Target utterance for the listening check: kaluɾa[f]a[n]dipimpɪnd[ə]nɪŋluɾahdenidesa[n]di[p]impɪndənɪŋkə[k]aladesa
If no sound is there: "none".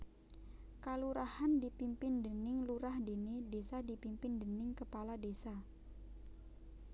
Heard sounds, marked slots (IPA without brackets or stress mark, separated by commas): h, n, ə, none, p, p